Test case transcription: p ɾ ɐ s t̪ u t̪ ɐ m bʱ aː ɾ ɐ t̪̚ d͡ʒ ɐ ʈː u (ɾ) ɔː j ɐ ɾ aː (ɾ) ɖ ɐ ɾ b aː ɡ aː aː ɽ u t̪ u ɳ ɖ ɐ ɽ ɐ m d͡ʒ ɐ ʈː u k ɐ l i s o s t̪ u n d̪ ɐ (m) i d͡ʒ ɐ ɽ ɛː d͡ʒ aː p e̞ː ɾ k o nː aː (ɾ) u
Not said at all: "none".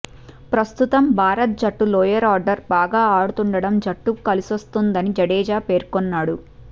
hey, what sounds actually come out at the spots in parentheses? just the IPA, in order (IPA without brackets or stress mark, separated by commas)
l, ɾ, n, ɽ